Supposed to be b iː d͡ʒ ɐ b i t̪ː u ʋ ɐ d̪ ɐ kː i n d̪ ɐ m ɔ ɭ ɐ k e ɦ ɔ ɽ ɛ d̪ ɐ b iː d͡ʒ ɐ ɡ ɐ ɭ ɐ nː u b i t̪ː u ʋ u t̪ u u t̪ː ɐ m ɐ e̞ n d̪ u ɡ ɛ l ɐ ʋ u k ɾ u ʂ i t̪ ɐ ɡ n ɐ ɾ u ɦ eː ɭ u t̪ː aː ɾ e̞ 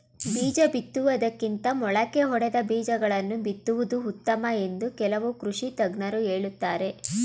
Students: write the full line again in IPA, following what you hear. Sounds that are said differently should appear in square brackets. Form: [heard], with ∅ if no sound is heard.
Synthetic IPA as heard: b iː d͡ʒ ɐ b i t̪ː u ʋ ɐ d̪ ɐ kː i n [t̪] ɐ m ɔ ɭ ɐ k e ɦ ɔ ɽ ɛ d̪ ɐ b iː d͡ʒ ɐ ɡ ɐ ɭ ɐ nː u b i t̪ː u ʋ u [d̪] u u t̪ː ɐ m ɐ e̞ n d̪ u [k] ɛ l ɐ ʋ u k ɾ u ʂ i t̪ ɐ ɡ n ɐ ɾ u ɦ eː ɭ u t̪ː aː ɾ e̞